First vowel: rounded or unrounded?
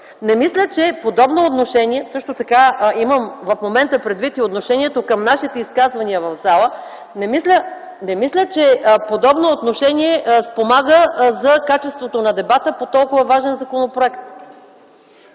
unrounded